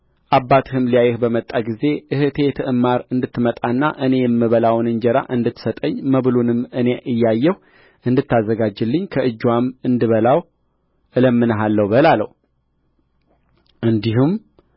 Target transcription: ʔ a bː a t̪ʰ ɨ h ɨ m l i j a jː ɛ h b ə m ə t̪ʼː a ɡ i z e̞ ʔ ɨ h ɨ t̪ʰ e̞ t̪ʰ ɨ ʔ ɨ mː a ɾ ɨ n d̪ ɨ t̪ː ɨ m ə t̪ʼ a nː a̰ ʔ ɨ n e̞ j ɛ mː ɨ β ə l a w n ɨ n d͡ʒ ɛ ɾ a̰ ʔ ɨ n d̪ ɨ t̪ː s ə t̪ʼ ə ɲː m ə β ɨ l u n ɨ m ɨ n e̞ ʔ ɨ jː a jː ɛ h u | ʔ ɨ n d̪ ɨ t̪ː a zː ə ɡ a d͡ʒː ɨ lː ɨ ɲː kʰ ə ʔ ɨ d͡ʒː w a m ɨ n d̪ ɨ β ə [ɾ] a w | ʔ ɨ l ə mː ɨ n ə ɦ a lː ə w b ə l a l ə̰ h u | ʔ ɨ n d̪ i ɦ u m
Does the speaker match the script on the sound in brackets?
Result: no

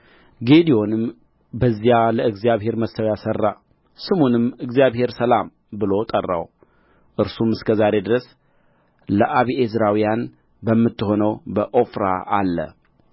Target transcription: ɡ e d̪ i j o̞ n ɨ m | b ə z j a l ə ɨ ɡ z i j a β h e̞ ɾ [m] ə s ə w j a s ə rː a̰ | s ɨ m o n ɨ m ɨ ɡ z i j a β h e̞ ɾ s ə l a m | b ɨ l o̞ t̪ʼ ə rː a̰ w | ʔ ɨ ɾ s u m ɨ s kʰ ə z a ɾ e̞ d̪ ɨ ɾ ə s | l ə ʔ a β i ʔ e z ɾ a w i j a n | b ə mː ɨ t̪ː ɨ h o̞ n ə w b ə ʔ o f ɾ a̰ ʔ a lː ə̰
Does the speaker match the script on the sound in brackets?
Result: yes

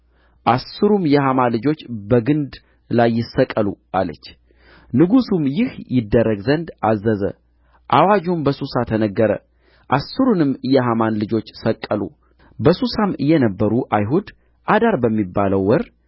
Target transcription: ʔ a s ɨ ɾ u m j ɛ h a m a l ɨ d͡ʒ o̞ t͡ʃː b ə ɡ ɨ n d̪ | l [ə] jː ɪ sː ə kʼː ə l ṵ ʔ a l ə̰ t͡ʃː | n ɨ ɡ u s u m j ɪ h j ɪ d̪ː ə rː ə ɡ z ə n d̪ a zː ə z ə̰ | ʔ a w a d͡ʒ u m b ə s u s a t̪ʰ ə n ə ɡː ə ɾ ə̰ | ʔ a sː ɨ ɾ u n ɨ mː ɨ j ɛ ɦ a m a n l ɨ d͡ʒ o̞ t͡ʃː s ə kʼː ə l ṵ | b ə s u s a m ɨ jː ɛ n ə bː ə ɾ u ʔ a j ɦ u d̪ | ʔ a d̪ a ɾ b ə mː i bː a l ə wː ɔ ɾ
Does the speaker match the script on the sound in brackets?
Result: no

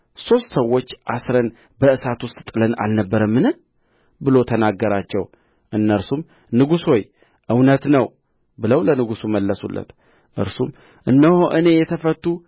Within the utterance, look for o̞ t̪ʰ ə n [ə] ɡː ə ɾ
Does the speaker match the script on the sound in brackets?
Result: no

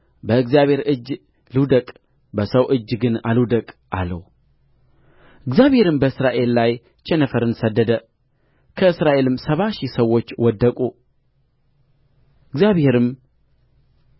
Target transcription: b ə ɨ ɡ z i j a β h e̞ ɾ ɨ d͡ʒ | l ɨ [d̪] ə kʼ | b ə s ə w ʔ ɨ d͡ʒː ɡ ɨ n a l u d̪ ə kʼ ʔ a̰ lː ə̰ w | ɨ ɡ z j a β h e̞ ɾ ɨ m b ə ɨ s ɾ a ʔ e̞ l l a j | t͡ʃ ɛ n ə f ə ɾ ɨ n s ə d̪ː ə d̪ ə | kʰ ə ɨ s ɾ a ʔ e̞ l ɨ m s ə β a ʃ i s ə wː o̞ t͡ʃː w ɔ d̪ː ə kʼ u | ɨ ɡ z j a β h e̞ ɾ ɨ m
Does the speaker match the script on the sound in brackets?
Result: yes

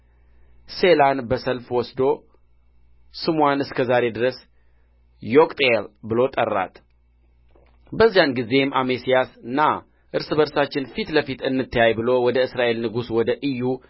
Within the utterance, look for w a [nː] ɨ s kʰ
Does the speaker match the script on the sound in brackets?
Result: no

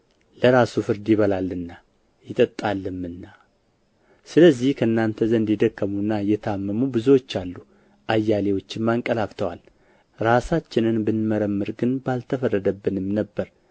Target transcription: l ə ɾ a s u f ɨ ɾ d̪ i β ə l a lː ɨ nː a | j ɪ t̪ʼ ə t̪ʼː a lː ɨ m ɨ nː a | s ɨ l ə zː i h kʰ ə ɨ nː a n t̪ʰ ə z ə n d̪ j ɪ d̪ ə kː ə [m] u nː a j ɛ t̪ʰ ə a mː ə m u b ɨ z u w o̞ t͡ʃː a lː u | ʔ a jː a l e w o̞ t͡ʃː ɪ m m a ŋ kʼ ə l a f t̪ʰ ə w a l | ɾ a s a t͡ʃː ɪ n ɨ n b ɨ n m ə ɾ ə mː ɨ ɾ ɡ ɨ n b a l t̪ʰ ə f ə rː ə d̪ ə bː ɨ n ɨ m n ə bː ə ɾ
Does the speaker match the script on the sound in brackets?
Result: yes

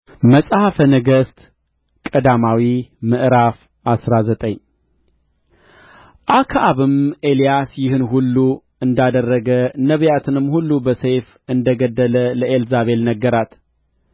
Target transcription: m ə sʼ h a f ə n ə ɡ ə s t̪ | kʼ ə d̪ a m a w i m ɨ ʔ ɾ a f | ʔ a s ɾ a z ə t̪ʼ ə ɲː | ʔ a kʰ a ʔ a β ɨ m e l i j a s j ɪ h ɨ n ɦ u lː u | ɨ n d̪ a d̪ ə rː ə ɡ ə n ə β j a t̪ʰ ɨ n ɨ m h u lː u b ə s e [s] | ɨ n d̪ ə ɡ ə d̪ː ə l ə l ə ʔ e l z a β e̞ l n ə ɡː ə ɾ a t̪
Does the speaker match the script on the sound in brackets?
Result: no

